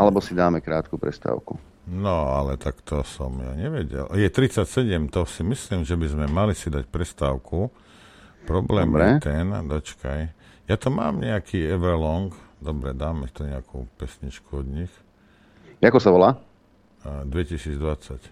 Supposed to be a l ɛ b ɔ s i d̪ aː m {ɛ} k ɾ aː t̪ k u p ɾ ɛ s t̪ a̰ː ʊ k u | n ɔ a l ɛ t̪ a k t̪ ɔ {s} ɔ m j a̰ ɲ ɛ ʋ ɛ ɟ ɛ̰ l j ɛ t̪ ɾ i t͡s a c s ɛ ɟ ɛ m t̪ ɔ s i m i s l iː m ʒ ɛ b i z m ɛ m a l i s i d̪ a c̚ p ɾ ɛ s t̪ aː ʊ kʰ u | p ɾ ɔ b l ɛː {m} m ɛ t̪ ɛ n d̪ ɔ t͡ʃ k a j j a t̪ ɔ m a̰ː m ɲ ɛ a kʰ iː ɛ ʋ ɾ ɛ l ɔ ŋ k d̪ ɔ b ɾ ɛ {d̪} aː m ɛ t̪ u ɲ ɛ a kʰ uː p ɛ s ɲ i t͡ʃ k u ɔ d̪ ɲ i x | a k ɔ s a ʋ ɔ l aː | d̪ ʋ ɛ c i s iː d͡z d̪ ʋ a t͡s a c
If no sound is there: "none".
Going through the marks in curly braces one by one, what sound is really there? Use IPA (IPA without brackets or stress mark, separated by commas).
ɛ, s, m, d̪